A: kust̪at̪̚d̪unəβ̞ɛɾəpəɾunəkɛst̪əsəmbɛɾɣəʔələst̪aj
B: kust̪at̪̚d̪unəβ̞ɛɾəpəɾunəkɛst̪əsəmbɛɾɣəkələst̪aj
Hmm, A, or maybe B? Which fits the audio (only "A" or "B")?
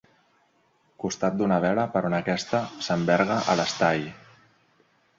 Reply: A